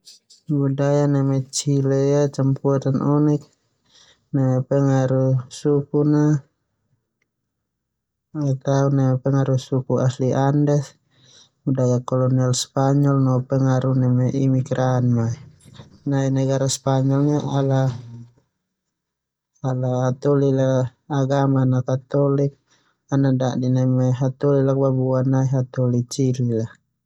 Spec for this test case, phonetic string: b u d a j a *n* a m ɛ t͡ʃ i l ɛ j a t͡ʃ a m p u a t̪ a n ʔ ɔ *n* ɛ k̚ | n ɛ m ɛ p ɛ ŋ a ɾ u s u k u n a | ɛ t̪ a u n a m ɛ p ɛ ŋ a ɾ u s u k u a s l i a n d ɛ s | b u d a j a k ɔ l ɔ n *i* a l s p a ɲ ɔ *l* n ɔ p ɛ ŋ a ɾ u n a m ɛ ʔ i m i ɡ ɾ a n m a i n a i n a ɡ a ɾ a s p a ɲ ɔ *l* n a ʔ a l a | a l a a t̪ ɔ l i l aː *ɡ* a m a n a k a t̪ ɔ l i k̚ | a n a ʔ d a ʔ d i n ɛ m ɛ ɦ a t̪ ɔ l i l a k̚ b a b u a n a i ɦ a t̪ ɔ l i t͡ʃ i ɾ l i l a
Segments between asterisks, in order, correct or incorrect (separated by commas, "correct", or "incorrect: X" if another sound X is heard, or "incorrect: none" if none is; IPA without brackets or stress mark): correct, correct, correct, correct, correct, correct